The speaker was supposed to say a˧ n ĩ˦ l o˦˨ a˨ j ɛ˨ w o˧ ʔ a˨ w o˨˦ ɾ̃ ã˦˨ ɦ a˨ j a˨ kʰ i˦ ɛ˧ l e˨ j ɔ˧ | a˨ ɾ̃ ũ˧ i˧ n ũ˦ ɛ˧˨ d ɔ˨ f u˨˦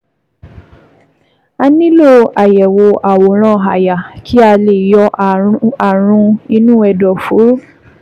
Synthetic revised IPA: a˧ n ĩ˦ l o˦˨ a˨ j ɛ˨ w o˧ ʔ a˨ w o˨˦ ɾ̃ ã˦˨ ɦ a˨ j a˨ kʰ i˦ a˧ l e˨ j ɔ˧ | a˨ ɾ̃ ũ˧ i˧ n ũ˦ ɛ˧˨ d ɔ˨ f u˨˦